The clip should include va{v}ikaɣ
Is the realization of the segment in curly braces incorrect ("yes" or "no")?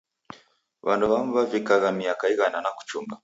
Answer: no